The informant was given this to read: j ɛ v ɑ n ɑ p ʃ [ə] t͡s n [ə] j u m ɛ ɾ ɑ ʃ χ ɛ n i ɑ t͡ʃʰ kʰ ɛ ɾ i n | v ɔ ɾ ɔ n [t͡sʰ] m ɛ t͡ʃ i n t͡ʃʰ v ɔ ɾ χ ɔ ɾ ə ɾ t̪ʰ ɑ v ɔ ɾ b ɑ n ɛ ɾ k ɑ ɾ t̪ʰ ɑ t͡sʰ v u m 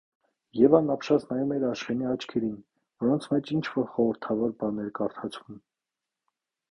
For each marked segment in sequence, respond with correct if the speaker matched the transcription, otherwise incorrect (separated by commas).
incorrect, incorrect, correct